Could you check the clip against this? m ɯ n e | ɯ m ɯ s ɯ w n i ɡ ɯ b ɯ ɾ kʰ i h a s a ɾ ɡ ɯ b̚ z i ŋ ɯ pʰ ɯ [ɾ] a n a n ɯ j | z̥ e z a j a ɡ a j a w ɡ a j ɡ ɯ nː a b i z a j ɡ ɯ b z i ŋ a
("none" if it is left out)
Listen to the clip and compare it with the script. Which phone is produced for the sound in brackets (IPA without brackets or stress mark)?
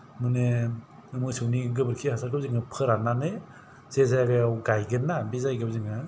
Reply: ɾ